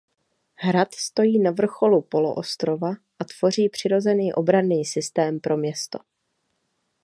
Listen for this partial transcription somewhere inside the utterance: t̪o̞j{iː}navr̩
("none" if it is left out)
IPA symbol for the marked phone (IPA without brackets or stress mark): iː